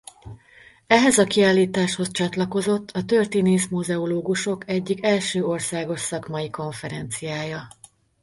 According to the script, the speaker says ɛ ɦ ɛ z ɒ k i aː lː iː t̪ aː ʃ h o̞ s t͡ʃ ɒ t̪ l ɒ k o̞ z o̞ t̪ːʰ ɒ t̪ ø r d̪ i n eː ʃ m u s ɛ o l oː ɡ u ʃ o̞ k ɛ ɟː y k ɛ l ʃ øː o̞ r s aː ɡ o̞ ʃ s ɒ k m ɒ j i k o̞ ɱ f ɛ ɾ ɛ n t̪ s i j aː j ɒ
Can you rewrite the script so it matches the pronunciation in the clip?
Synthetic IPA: ɛ ɦ ɛ z ɒ k i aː lː iː t̪ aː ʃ h o̞ s t͡ʃ ɒ t̪ l ɒ k o̞ z o̞ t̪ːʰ ɒ t̪ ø r t̪ i n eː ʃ m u z ɛ o l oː ɡ u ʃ o̞ k ɛ ɟː i k ɛ l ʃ øː o̞ r s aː ɡ o̞ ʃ s ɒ k m ɒ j i k o̞ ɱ f ɛ ɾ ɛ n t̪ s i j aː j ɒ